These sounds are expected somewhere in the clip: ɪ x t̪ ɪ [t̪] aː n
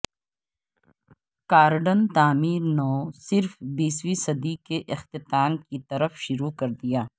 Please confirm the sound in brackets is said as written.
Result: yes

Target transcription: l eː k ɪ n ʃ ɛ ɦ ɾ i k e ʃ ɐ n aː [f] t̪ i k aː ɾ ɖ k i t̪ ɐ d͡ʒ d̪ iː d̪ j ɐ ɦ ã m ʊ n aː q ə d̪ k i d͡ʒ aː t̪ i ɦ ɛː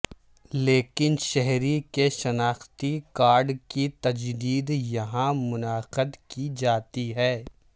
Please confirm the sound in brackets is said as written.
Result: no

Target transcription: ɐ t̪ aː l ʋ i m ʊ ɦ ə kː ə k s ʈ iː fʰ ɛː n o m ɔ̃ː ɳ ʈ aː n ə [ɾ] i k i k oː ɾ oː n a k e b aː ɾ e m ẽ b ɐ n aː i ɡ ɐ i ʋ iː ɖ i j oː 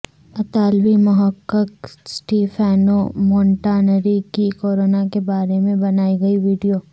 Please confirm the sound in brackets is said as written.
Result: yes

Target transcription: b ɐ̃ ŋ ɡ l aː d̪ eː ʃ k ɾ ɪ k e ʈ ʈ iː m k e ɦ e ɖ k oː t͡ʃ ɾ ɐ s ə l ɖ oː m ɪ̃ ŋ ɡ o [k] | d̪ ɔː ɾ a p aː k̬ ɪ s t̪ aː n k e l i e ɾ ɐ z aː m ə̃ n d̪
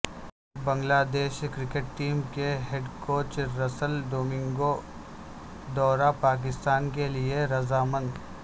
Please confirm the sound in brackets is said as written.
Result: no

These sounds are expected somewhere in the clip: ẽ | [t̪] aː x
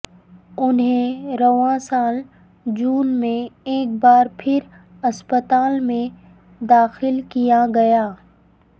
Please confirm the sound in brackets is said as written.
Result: no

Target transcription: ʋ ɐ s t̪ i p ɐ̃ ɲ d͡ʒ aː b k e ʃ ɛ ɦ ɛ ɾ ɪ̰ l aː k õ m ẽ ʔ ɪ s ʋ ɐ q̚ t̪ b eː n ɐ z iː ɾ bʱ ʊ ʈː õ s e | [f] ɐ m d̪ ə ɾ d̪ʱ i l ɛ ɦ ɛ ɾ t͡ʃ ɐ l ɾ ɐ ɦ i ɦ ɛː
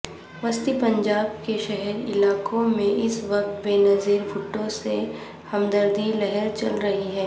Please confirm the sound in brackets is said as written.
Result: no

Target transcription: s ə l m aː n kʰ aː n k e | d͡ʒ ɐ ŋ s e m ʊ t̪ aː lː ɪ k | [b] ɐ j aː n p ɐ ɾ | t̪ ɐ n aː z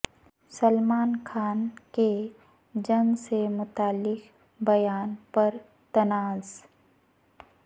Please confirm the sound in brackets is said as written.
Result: yes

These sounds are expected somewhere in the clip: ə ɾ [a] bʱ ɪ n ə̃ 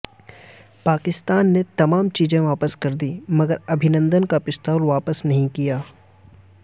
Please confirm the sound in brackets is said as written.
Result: no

